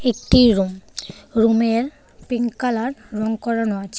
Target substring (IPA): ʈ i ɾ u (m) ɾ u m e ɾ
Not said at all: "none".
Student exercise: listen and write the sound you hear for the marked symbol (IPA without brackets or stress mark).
m